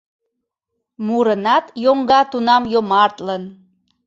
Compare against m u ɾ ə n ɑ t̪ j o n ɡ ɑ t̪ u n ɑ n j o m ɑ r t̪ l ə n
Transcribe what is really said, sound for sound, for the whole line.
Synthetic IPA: m u ɾ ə n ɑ t̪ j o ŋ ɡ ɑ t̪ u n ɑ m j o m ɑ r t̪ l ə n